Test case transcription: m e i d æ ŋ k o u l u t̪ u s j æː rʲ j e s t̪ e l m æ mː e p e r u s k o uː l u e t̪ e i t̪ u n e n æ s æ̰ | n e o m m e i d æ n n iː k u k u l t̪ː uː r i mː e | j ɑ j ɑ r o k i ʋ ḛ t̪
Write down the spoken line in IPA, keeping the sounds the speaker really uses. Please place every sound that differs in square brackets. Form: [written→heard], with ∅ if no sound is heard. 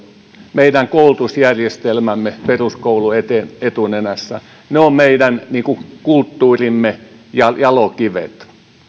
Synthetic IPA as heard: m e i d æ ŋ k o u l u t̪ u s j [æː→æ] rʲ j e s t̪ e l m æ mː e p e r u s k o [uː→u] l u e t̪ e [i→e] t̪ u n e n æ [s→sː] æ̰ | n e o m m e i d æ n n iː k u k u l t̪ː uː r i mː e | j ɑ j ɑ [r→l] o k i ʋ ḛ t̪